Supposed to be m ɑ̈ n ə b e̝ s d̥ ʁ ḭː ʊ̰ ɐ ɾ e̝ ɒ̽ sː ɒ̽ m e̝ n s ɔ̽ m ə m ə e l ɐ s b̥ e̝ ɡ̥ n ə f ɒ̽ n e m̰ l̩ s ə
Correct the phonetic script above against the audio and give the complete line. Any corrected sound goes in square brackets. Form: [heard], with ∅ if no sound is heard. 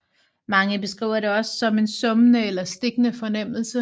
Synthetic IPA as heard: m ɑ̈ [ŋ] ə b e̝ s [ɡ̥] ʁ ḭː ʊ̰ ɐ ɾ e̝ ɒ̽ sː ɒ̽ m e̝ n s ɔ̽ m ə [n] ə e l ɐ s [d̥] e̝ ɡ̥ n ə f ɒ̽ n e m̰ l̩ s ə